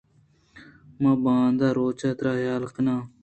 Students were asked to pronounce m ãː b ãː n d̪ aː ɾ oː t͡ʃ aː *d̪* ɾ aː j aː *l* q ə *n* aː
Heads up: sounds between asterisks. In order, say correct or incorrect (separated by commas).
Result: incorrect, correct, correct